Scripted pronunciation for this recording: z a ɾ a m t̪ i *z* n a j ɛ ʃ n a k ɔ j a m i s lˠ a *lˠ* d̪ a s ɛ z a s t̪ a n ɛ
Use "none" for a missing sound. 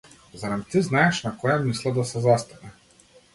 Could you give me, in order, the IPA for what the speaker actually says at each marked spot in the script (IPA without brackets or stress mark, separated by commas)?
z, none